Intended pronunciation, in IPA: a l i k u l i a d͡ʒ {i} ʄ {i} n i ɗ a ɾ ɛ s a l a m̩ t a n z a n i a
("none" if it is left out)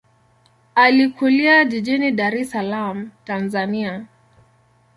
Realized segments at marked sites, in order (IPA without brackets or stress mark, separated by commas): i, i